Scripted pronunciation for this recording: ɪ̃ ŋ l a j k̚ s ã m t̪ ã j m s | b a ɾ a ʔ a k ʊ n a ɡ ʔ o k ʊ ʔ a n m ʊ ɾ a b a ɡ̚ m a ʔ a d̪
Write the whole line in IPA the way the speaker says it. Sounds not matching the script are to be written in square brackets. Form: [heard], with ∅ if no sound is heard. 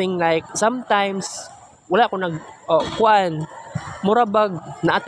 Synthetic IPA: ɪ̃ ŋ l a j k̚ s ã m t̪ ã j m s | [w] a [l] a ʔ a k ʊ n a ɡ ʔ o k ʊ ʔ a n m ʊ ɾ a b a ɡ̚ [n] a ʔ a [t̪]